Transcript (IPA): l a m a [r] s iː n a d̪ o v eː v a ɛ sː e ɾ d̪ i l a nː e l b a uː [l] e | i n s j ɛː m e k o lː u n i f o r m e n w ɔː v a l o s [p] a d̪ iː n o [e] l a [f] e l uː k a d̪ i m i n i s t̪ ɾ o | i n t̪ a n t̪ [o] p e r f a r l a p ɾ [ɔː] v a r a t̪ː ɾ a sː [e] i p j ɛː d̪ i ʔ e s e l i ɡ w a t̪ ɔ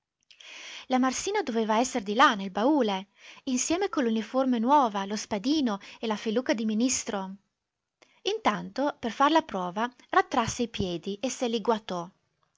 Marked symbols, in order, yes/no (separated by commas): yes, yes, yes, yes, yes, yes, yes, yes